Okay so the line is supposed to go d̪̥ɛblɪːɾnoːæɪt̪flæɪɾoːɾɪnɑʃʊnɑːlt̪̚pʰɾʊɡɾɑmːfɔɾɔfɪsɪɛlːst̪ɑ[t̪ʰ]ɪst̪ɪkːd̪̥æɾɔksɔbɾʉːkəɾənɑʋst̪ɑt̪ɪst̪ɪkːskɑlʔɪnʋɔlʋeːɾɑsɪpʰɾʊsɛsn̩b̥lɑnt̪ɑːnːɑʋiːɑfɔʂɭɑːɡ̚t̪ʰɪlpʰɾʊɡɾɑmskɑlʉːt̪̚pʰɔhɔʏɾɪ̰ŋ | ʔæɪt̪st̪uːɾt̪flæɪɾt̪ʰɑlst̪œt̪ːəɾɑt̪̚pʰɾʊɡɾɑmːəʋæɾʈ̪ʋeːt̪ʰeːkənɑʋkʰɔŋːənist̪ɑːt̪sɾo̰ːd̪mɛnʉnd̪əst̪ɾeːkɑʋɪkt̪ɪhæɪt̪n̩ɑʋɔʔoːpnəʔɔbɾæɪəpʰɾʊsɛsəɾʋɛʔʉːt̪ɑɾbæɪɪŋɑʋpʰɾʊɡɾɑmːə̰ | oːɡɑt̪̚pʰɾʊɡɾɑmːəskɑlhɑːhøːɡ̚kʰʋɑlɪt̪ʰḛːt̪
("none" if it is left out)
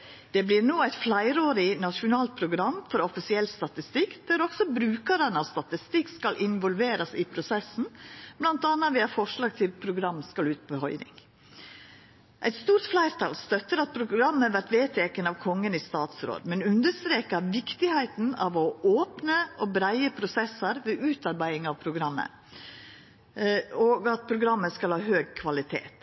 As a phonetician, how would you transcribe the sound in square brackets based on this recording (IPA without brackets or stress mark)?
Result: t̪